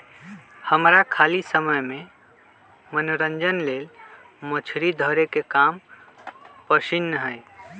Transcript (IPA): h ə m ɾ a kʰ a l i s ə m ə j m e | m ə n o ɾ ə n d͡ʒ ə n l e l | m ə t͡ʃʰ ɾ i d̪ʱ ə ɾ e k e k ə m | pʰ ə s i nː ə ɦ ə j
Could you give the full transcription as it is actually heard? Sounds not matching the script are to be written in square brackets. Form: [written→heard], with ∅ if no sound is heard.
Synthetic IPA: h ə m ɾ a kʰ a l i s ə m ə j m e | m ə n o ɾ ə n d͡ʒ ə n l e l | m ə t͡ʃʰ ɾ i d̪ʱ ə ɾ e k e k [ə→a] m | [pʰ→p] ə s i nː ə ɦ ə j